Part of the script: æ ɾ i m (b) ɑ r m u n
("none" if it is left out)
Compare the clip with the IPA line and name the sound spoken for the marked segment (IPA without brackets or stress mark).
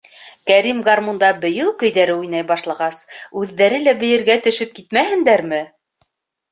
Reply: ɡ